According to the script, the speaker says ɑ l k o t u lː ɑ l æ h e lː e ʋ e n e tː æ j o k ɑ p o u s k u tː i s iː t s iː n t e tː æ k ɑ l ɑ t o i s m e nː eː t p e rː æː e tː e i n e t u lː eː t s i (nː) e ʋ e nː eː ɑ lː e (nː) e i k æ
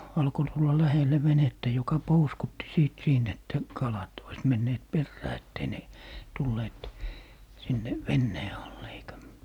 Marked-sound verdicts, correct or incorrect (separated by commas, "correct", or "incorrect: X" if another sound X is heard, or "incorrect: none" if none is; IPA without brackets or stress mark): correct, incorrect: none